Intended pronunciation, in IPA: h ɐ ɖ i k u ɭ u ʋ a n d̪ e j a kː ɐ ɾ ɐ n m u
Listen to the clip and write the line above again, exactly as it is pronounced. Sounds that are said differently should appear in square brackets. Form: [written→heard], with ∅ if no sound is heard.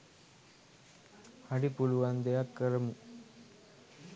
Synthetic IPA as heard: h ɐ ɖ i [k→p] u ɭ u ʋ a n d̪ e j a kː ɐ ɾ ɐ [n→∅] m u